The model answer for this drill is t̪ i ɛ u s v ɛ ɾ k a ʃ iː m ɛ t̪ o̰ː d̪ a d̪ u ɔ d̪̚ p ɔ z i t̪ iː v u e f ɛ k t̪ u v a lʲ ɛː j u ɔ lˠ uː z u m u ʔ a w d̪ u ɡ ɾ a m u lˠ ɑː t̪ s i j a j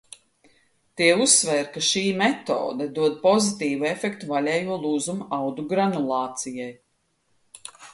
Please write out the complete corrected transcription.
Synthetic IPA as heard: t̪ i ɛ u s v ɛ ɾ k a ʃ iː m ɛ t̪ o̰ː d̪ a d̪ u ɔ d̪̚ p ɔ z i t̪ iː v u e f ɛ k t̪ u v a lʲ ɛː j u ɔ lˠ uː z u m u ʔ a w d̪ u ɡ ɾ a n u lˠ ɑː t̪ s i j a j